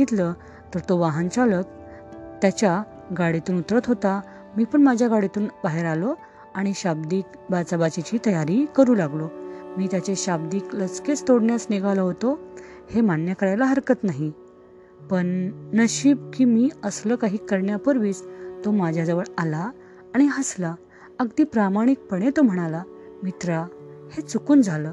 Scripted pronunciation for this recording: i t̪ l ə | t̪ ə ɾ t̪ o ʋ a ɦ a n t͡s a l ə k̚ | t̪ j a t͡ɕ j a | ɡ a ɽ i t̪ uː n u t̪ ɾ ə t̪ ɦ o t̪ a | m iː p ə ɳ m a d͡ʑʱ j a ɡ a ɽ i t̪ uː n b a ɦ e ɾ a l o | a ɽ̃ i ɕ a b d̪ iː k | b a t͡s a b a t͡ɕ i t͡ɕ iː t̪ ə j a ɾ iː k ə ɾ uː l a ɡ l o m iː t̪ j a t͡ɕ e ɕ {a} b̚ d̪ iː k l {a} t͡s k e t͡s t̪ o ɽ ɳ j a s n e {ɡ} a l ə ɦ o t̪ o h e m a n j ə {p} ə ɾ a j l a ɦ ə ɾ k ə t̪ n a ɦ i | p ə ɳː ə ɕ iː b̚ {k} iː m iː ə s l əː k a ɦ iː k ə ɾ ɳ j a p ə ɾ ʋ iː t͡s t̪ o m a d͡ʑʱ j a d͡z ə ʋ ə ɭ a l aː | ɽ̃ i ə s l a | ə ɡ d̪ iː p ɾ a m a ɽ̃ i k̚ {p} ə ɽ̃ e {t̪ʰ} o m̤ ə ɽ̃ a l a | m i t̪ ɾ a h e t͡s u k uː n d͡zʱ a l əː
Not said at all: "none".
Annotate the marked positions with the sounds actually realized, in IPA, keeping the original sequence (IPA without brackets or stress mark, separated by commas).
a, ə, ɡ, k, k, p, t̪